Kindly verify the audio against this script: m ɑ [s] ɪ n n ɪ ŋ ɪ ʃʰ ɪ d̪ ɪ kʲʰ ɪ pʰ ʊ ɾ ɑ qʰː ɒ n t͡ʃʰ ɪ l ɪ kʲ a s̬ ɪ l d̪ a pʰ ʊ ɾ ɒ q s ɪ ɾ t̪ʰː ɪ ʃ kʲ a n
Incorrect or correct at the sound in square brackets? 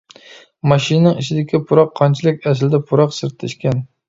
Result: incorrect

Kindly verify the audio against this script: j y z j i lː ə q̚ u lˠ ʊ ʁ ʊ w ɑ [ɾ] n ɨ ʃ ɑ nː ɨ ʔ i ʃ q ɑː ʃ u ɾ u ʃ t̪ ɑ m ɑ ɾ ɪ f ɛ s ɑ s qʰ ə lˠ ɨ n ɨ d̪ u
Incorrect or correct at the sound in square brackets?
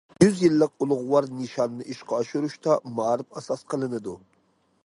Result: correct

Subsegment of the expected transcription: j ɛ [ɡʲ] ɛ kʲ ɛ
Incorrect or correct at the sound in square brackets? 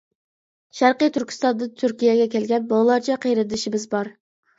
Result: correct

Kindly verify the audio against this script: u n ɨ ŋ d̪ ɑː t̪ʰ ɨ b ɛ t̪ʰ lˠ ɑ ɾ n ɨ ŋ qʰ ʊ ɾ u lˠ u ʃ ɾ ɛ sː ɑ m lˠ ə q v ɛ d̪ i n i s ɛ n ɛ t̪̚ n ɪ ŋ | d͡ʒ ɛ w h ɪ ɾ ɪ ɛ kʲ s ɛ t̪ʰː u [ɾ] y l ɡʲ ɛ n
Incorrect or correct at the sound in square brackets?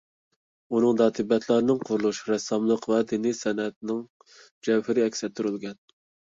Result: correct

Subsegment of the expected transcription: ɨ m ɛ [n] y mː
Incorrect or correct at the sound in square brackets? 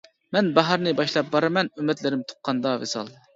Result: correct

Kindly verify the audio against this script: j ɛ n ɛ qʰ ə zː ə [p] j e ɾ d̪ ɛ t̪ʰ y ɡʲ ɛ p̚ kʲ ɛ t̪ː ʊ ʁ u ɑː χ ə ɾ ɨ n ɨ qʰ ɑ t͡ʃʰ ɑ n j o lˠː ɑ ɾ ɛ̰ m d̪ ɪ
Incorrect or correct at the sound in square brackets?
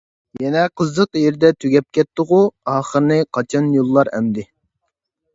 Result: incorrect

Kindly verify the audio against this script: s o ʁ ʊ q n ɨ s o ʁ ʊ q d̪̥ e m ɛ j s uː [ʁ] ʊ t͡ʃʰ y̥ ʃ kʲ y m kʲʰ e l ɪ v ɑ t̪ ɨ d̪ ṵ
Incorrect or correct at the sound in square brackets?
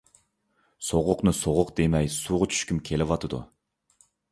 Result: correct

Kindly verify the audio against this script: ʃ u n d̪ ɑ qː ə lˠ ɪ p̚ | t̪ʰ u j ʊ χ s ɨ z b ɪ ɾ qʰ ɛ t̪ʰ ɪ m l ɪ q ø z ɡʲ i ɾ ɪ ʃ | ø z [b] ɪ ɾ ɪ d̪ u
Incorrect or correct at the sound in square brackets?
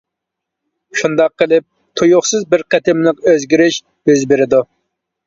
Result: correct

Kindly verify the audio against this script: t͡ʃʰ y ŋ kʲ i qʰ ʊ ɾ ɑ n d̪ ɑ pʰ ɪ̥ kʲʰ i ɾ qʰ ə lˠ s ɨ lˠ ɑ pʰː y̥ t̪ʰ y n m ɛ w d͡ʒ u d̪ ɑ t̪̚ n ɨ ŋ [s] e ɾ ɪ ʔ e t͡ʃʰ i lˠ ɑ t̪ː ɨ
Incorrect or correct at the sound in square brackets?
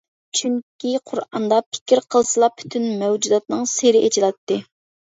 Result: correct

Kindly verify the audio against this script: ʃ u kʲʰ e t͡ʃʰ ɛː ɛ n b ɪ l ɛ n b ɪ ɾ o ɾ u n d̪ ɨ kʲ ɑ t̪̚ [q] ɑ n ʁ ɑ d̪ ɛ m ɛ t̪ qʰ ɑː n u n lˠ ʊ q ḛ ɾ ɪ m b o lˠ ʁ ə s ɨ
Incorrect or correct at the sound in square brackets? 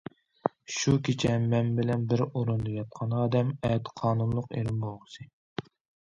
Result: incorrect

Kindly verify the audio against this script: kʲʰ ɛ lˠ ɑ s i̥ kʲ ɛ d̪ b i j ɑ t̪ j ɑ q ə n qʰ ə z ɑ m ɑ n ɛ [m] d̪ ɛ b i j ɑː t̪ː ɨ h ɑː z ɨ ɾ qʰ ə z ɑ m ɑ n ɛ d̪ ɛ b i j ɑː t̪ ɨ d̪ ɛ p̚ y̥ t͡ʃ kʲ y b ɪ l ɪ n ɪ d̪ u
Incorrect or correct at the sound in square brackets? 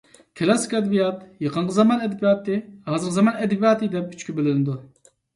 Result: incorrect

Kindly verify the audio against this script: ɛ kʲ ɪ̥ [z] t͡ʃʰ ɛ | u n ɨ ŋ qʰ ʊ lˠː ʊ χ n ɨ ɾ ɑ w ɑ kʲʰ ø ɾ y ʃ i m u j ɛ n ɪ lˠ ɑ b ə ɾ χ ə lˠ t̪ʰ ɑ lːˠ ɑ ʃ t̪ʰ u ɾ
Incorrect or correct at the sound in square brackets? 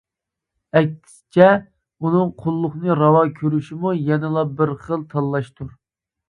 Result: incorrect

